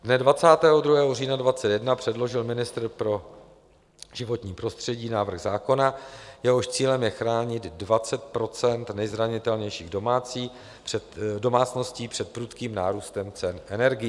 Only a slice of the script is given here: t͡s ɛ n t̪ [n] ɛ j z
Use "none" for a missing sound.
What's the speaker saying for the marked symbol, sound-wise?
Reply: n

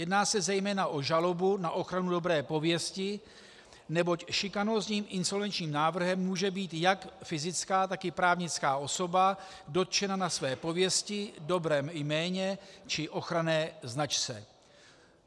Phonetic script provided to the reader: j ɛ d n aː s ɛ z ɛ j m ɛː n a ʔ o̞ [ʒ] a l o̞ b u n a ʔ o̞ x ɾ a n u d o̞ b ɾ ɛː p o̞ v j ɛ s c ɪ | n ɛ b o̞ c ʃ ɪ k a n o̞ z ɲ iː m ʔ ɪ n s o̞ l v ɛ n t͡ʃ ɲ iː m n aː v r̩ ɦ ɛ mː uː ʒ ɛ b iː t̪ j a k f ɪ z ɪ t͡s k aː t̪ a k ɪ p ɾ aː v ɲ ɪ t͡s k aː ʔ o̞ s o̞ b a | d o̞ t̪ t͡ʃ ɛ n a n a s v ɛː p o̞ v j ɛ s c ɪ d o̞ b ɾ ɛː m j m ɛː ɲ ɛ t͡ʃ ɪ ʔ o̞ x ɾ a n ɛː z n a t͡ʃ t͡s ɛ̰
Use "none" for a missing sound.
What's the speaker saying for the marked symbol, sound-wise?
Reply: ʒ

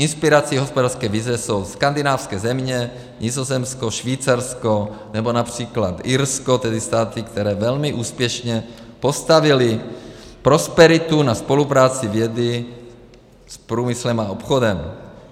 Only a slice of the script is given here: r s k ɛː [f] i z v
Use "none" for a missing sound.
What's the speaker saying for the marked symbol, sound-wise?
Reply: v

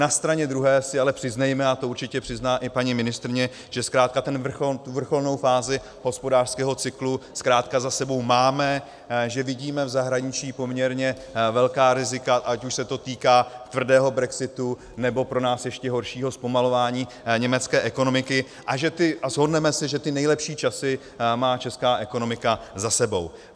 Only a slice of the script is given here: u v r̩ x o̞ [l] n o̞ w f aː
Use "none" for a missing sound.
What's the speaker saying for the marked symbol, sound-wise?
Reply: l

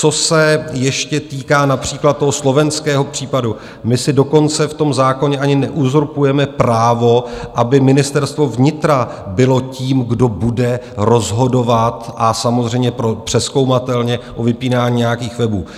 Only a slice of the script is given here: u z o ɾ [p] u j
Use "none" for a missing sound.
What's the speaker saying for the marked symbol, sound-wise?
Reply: p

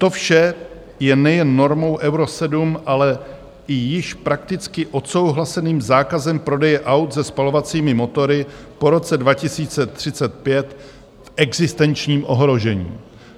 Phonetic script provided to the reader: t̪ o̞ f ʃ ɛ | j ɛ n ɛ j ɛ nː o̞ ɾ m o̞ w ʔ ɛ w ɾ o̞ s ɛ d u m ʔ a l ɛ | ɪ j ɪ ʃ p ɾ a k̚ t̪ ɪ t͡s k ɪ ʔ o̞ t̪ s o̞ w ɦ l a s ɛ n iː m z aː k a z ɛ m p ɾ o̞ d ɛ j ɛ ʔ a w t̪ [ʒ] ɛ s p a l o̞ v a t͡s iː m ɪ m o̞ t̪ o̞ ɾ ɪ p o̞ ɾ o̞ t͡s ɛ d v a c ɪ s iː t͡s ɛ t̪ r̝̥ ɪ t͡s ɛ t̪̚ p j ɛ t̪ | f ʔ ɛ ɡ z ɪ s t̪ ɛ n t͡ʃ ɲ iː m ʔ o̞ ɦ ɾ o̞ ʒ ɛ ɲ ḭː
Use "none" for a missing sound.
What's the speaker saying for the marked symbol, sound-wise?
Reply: z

